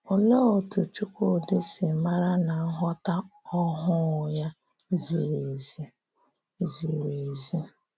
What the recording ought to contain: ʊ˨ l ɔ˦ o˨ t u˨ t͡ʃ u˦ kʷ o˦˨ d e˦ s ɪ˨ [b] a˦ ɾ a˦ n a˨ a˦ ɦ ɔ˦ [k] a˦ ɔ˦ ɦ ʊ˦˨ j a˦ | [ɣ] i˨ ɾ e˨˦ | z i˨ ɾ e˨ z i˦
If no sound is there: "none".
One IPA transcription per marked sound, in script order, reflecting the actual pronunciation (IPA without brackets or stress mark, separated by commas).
m, t, z